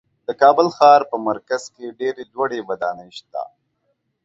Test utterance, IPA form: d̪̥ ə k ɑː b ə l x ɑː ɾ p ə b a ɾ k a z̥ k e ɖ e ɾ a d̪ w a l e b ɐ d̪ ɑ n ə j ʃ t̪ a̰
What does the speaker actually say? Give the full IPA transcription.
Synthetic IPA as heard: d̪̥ ə k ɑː b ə l x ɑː ɾ p ə m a ɾ k a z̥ k e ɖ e ɾ e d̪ w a ɽ e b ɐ d̪ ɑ n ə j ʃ t̪ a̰